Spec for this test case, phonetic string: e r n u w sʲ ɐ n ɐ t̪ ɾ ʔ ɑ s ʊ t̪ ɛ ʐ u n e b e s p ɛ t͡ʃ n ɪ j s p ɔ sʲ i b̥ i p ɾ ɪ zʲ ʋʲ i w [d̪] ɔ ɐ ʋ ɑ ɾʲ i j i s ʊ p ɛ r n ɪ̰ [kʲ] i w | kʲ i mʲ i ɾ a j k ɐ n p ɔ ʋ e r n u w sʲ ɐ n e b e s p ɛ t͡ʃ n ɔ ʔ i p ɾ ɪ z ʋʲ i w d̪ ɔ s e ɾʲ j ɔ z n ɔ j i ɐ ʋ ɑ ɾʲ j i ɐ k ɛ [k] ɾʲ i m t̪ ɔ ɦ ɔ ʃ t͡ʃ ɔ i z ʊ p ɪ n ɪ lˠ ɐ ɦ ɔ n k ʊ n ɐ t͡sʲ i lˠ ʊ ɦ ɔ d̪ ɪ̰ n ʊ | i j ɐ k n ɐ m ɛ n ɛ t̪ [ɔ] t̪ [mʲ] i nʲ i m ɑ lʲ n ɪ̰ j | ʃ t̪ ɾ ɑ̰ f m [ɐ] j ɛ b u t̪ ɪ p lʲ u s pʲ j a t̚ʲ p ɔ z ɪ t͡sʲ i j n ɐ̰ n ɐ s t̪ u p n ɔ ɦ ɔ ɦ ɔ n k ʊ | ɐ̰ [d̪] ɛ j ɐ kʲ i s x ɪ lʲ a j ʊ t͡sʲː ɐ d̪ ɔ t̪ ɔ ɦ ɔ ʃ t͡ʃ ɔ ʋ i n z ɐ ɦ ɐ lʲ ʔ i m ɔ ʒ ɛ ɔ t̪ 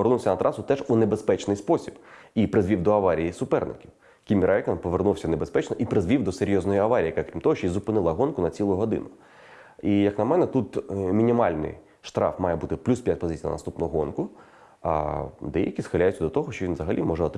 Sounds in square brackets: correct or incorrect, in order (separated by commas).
correct, correct, correct, incorrect, correct, incorrect, correct